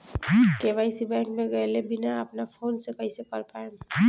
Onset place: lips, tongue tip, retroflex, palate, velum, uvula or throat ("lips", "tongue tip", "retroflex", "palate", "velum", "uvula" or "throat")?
velum